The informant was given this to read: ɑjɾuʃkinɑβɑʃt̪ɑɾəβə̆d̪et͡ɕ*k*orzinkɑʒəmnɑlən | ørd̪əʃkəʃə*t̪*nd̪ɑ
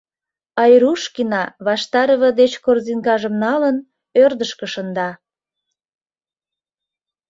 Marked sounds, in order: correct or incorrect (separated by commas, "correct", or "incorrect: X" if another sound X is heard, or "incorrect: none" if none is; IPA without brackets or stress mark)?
correct, incorrect: none